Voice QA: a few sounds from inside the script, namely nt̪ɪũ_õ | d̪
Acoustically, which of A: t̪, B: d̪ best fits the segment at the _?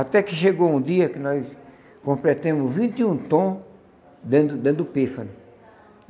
A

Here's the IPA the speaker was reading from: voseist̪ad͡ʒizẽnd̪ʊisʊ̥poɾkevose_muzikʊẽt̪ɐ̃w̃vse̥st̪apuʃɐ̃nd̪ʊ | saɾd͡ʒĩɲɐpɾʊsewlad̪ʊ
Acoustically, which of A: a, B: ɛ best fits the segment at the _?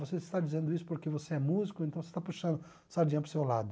B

